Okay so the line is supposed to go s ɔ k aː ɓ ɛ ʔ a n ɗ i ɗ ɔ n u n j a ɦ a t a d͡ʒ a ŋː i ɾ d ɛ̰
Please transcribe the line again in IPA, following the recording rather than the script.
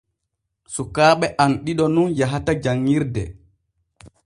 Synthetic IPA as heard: s u k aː ɓ ɛ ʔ a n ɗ i ɗ ɔ n u n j a ɦ a t a d͡ʒ a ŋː i ɾ d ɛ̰